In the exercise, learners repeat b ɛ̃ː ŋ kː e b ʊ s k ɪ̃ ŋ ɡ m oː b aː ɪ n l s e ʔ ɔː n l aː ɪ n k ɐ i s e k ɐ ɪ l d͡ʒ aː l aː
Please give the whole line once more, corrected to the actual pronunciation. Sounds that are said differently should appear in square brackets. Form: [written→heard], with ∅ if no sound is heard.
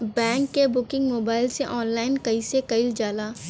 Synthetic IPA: b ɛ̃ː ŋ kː e b ʊ [s→∅] k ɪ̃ ŋ ɡ m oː b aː ɪ [n→∅] l s e ʔ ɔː n l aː ɪ n k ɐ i s e k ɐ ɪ l d͡ʒ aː l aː